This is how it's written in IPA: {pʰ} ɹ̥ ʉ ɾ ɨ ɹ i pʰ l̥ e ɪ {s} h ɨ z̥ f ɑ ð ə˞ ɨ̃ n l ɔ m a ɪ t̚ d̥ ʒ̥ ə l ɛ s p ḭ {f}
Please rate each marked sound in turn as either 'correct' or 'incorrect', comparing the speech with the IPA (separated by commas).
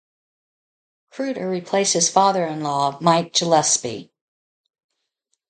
incorrect, correct, incorrect